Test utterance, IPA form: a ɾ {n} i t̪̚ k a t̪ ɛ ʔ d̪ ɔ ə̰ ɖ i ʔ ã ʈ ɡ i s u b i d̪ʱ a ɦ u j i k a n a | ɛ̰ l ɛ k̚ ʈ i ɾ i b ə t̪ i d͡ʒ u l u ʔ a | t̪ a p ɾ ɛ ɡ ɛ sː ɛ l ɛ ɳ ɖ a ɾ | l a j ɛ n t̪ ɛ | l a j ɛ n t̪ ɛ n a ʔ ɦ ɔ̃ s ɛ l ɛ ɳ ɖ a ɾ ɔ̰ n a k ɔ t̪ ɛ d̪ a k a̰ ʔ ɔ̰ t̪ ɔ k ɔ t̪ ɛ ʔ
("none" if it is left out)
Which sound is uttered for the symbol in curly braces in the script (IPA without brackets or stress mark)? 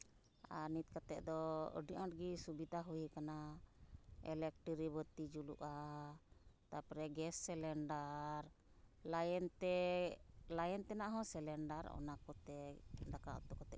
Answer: n